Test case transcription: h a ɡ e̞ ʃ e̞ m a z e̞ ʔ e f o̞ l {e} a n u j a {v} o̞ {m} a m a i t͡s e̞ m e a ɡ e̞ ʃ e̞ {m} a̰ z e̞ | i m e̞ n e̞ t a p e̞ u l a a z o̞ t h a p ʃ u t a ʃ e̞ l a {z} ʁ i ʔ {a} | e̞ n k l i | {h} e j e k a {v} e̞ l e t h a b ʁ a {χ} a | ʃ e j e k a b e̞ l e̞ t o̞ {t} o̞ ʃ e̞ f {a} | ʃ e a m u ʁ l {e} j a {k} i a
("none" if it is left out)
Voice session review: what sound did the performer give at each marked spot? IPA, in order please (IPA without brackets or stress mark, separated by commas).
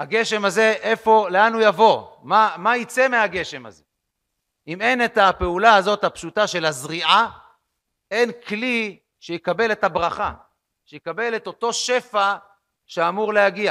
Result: e, v, m, m, z, a, ʃ, b, χ, t, a, e, ɡ